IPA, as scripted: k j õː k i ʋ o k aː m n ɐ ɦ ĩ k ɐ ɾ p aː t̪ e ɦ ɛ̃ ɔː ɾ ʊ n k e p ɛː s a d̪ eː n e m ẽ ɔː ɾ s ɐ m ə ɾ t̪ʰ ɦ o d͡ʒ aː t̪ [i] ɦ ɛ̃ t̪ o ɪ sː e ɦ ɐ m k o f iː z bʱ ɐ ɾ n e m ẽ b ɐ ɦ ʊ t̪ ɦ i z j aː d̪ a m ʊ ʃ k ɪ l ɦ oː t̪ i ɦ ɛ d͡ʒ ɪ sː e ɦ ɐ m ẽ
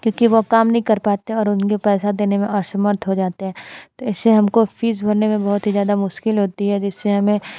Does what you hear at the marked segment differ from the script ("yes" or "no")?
yes